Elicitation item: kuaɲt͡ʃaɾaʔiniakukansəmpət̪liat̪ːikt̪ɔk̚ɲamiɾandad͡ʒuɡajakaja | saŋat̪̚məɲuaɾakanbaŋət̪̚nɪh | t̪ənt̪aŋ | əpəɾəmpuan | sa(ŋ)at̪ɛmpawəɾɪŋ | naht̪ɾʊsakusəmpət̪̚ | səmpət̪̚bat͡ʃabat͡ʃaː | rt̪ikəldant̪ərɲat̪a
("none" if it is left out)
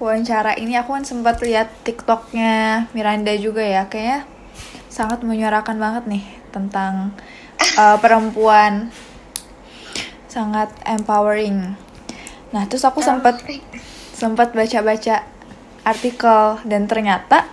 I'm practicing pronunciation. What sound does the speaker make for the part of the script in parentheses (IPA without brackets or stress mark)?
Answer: ŋ